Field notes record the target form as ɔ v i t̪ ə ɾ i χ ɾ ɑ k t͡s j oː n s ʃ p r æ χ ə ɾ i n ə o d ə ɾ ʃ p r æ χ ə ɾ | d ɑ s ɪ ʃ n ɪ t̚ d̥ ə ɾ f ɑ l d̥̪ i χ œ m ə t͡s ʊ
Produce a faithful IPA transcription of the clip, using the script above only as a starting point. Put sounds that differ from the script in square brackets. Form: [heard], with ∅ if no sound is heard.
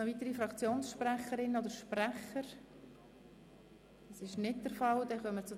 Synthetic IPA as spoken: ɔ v i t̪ ə ɾ i [f] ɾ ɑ k t͡s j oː n s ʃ p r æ χ ə ɾ [ɪ] n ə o d ə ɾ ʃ p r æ χ ə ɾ | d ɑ s ɪ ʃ n ɪ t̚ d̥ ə ɾ f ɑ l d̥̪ [ɛ] χ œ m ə t͡s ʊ